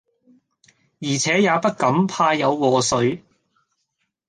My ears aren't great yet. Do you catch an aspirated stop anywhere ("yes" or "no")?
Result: yes